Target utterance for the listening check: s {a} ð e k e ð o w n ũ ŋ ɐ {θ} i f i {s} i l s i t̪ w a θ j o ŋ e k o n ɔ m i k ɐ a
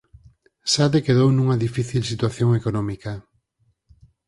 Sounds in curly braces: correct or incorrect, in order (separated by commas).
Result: correct, incorrect, incorrect